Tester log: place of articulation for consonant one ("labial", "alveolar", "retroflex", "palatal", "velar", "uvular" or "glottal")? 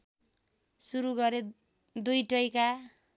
alveolar